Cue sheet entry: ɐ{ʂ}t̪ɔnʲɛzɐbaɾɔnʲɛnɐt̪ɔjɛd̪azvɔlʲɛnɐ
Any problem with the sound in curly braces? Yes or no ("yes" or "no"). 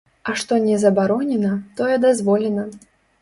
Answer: no